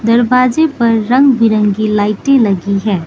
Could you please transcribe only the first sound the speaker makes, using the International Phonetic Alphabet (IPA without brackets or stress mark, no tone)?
d̪